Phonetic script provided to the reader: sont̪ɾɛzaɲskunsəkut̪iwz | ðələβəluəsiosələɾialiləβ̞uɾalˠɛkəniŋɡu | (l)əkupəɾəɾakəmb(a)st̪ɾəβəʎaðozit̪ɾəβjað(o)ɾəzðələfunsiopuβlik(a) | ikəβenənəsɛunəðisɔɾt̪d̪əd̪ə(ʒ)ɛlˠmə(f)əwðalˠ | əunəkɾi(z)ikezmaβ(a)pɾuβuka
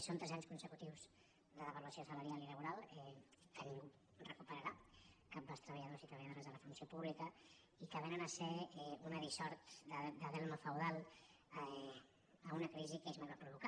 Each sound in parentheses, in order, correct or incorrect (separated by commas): incorrect, correct, correct, incorrect, incorrect, correct, correct, correct